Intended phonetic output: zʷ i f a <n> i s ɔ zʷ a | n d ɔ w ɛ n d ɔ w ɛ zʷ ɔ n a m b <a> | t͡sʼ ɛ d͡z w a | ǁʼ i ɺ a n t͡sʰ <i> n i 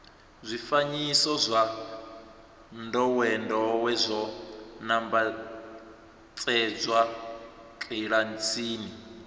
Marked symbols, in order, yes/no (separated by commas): no, yes, no